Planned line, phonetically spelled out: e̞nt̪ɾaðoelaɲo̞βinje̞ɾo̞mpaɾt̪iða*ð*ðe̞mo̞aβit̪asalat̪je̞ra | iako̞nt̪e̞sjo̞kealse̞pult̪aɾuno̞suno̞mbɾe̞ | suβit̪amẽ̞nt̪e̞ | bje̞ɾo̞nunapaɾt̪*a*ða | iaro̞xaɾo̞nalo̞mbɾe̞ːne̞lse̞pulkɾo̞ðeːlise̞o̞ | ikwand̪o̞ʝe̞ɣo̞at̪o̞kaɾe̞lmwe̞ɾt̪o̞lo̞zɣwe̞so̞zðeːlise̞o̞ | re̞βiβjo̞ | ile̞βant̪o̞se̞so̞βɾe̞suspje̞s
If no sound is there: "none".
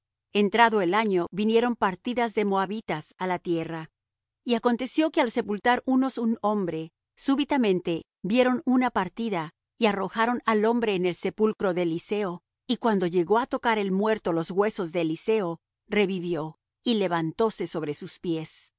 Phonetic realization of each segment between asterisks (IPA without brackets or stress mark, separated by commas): z, i